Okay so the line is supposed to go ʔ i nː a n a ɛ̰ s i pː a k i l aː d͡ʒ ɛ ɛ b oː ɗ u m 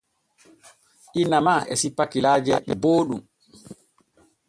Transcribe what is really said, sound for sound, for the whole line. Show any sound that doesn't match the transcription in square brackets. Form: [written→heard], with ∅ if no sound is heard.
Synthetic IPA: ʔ i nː a [n→m] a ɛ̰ s i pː a k i l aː d͡ʒ ɛ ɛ b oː ɗ u m